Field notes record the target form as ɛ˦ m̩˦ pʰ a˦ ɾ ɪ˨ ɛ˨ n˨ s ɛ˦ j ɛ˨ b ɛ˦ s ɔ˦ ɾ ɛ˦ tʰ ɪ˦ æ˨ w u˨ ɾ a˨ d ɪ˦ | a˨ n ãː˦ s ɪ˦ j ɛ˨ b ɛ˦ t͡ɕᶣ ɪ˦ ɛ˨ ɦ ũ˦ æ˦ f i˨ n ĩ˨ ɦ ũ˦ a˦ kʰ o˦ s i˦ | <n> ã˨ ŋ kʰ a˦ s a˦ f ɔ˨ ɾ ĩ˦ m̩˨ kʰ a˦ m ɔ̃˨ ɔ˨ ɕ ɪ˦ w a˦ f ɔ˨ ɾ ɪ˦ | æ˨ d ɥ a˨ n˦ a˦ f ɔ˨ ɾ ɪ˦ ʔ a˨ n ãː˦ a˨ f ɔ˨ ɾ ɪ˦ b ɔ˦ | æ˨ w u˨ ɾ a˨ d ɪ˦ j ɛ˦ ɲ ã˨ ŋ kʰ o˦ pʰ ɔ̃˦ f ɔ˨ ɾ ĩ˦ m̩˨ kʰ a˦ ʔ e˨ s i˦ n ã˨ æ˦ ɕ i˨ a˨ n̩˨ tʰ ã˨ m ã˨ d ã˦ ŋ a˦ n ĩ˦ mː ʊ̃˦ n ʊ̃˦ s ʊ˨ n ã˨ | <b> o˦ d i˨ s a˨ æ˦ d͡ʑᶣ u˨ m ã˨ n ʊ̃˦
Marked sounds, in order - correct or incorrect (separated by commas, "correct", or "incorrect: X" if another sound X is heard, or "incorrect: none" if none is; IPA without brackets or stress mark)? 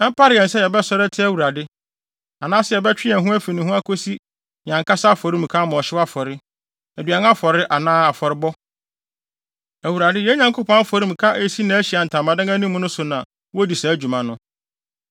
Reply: incorrect: ɲ, incorrect: w